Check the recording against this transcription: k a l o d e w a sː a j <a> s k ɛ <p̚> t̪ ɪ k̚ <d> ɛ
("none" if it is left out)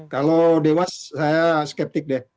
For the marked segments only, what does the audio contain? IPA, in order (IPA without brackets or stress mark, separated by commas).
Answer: a, p̚, d